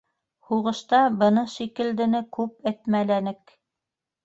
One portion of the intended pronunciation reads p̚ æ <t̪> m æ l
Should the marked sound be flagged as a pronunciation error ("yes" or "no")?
no